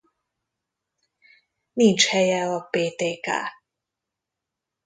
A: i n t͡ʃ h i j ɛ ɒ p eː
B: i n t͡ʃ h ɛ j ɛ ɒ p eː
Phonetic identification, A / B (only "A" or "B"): B